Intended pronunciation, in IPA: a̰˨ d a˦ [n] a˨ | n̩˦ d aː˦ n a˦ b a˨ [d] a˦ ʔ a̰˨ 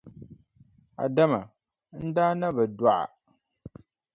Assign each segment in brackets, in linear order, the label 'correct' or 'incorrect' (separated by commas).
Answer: incorrect, correct